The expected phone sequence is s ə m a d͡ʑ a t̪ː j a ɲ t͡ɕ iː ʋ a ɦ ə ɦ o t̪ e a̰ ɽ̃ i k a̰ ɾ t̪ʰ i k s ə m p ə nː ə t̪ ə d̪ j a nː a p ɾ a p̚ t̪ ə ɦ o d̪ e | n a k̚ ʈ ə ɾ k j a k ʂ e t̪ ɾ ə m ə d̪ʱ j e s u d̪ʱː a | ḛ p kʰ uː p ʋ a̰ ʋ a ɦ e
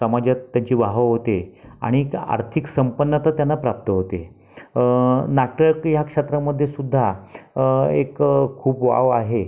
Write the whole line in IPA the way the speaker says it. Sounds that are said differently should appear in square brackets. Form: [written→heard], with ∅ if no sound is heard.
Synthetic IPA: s ə m a d͡ʑ a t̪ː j a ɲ t͡ɕ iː ʋ a ɦ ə ɦ o t̪ e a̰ ɽ̃ i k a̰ ɾ t̪ʰ i k s ə m p ə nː ə t̪ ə [d̪→t̪] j a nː a p ɾ a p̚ t̪ ə ɦ o [d̪→t̪] e | n a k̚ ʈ ə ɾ k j a k ʂ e t̪ ɾ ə m ə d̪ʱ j e s u d̪ʱː a | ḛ [p→k] kʰ uː p ʋ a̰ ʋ a ɦ e